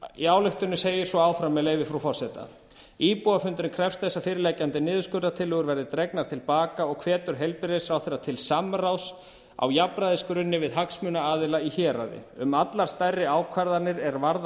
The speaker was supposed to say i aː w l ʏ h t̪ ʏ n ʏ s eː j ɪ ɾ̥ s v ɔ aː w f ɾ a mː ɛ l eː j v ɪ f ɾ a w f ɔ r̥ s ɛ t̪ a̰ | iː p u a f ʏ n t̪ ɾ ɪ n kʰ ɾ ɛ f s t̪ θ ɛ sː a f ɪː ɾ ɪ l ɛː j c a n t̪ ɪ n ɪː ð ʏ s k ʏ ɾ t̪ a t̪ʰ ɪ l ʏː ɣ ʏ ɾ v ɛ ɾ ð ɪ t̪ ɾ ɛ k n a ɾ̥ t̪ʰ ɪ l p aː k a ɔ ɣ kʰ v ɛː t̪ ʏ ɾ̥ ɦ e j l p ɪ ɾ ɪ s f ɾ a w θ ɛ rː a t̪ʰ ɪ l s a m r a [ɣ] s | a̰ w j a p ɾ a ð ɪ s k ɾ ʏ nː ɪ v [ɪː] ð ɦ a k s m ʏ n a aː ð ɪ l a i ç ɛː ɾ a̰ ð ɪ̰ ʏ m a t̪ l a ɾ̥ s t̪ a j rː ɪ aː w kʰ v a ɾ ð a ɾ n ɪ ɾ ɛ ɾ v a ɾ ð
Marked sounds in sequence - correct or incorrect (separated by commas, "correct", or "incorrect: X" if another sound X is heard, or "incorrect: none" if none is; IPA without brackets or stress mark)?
incorrect: w, incorrect: ɪ